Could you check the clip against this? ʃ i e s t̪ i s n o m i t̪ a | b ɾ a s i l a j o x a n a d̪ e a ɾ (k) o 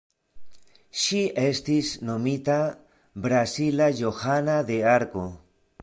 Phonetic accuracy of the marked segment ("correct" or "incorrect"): correct